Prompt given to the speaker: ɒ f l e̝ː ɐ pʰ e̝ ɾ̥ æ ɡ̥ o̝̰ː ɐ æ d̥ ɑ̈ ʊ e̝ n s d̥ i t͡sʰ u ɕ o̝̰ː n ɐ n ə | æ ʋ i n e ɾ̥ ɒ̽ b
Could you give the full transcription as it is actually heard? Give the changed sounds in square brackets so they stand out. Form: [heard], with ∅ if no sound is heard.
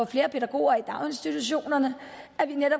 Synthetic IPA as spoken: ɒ f l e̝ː ɐ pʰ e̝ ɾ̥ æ ɡ̥ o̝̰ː ɐ [i] d̥ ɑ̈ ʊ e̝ n s d̥ i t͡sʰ u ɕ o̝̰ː n ɐ n ə | æ ʋ i n e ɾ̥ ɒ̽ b